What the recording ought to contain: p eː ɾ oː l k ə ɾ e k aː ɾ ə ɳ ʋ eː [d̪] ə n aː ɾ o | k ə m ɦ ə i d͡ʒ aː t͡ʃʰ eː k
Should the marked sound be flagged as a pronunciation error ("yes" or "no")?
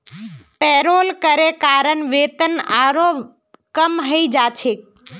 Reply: yes